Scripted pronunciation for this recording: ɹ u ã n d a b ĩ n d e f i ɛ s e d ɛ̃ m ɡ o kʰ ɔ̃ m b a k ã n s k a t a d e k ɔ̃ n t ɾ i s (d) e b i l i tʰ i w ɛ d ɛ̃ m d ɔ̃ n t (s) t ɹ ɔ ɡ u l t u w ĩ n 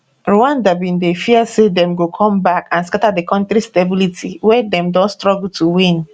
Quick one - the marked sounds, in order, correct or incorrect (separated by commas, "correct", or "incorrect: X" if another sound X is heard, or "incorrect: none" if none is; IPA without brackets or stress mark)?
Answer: incorrect: t, correct